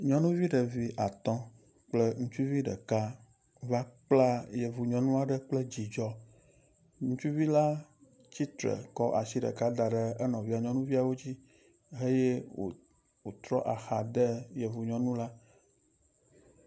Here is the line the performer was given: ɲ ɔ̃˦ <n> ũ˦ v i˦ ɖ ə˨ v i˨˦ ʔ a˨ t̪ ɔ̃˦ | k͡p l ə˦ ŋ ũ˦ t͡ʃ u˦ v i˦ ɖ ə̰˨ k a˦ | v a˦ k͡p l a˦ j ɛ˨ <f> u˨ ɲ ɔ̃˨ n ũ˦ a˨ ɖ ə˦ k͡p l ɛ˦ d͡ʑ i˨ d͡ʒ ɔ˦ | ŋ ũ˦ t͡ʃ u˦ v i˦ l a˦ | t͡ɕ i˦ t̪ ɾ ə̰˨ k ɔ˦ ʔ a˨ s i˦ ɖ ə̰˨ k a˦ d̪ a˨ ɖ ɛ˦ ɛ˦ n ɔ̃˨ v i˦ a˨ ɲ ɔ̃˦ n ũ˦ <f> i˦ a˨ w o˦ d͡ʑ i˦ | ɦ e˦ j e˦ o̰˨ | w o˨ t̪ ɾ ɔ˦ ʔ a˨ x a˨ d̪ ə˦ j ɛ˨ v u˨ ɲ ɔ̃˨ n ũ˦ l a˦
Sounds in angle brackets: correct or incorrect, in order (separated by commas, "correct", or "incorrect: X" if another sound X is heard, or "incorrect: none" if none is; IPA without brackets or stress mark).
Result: correct, incorrect: v, incorrect: v